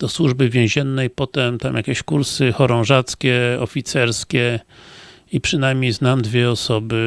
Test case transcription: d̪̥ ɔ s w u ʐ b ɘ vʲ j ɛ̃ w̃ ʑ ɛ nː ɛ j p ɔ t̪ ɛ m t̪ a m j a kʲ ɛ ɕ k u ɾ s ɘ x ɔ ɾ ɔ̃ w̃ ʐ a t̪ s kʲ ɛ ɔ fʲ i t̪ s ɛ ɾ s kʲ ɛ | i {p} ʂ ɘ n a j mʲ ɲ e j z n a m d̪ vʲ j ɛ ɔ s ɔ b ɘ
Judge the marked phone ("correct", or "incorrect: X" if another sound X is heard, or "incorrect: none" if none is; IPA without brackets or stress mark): correct